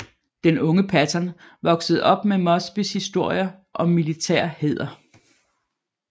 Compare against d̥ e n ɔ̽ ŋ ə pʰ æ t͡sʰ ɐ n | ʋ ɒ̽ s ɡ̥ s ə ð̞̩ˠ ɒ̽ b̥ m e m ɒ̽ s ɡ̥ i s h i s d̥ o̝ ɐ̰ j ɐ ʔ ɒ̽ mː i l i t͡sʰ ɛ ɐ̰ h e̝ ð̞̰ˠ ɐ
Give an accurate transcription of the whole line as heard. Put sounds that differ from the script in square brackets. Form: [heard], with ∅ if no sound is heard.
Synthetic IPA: d̥ e n ɔ̽ ŋ ə pʰ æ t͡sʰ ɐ n | ʋ ɒ̽ [∅] ɡ̥ s ə ð̞̩ˠ ɒ̽ b̥ m e m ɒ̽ s [b̥] i s h i s d̥ o̝ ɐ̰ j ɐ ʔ ɒ̽ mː i l i t͡sʰ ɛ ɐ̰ h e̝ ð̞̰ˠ ɐ